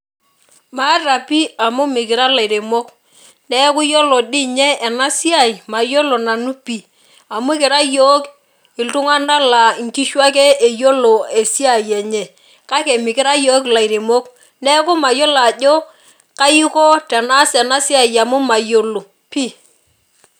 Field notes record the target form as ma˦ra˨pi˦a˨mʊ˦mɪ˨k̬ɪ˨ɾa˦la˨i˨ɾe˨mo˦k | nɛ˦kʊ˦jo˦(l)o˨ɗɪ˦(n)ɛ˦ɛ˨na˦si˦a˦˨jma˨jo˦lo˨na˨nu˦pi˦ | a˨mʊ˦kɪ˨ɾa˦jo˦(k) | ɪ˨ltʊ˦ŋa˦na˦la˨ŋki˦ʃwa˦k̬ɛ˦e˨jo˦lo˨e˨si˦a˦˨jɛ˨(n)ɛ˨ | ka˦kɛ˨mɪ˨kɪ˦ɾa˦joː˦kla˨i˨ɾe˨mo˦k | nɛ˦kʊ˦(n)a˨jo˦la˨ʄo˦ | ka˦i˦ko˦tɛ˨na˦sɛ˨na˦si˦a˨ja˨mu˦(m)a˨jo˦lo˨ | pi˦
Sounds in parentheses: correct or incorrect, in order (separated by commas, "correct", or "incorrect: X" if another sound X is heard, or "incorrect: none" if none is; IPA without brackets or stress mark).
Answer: correct, incorrect: ɲ, correct, incorrect: ɲ, incorrect: m, correct